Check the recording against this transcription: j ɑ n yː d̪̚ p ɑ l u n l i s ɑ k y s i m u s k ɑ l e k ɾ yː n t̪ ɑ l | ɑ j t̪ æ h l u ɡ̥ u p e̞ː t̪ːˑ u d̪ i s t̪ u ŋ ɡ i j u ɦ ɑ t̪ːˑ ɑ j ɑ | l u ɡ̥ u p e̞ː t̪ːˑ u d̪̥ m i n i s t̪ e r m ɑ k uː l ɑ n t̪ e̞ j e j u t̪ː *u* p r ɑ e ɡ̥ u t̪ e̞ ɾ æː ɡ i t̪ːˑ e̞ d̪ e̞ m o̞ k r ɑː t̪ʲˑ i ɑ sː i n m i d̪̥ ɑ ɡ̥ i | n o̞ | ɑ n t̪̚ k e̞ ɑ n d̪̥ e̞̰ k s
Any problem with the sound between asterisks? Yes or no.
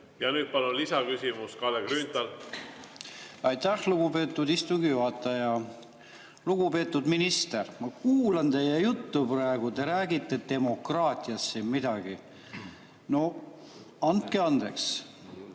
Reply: no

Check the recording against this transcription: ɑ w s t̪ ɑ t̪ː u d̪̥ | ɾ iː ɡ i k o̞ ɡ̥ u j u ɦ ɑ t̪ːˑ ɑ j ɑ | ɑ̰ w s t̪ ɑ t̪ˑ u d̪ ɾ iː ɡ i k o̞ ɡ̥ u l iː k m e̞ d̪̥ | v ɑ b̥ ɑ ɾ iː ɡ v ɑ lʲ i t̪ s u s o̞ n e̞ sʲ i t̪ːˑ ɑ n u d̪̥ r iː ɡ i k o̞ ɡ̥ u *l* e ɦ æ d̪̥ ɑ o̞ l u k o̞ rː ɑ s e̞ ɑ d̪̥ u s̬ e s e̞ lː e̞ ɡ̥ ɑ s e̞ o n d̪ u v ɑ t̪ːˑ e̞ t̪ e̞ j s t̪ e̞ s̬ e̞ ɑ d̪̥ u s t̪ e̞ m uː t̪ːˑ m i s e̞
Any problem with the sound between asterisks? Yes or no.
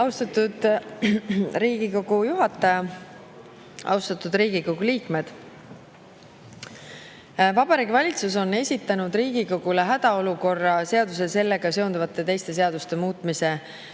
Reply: no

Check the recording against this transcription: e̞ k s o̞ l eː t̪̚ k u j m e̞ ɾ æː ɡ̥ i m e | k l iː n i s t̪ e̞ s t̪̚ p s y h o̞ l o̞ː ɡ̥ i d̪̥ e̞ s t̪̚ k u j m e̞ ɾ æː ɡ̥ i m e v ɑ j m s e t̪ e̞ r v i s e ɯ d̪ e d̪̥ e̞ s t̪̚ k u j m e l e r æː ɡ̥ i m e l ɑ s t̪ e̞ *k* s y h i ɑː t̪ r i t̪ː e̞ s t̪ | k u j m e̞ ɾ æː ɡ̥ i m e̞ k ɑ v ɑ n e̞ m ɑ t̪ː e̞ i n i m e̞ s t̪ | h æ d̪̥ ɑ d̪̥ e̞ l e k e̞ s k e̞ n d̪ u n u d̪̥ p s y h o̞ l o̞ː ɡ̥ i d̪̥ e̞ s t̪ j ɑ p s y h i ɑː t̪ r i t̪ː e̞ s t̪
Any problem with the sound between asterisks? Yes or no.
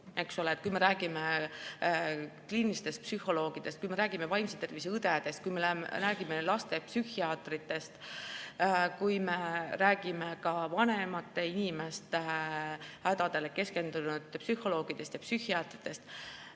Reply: yes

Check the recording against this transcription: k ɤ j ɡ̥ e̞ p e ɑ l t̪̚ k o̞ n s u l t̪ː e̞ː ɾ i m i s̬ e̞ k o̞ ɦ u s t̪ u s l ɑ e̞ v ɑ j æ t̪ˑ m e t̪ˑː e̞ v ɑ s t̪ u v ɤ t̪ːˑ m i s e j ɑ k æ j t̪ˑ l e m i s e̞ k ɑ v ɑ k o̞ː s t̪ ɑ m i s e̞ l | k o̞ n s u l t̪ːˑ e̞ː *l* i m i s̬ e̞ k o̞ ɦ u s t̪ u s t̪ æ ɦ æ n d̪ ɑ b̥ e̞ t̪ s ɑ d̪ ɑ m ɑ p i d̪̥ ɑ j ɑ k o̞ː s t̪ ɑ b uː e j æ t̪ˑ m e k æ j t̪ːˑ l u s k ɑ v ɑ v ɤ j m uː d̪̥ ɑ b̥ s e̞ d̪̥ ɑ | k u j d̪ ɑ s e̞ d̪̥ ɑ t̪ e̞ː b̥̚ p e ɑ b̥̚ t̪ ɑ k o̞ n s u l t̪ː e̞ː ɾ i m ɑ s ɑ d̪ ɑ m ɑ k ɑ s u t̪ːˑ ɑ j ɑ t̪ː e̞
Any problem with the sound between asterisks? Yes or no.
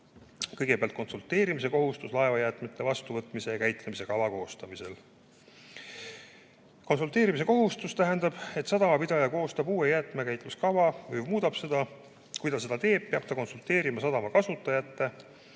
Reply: yes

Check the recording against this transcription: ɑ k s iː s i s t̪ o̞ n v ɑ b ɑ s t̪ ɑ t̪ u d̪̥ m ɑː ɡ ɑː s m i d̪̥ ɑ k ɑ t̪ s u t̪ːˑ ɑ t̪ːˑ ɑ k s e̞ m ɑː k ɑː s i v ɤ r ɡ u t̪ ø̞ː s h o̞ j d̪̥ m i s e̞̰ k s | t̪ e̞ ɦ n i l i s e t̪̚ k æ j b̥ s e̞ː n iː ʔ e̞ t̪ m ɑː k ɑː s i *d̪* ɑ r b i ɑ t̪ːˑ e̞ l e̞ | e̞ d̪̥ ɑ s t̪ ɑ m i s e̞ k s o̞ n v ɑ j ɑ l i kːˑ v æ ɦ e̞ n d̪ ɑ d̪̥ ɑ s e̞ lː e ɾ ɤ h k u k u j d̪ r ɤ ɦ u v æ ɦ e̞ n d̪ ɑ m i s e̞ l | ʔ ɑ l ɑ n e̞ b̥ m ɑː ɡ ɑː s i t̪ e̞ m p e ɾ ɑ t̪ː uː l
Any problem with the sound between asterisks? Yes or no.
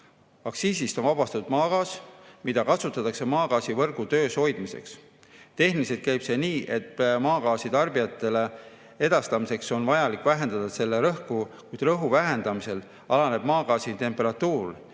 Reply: yes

